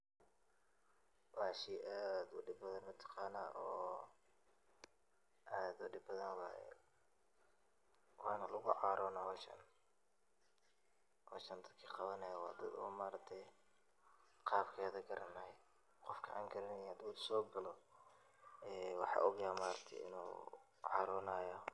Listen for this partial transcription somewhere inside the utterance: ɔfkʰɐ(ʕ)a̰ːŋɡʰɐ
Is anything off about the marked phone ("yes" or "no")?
no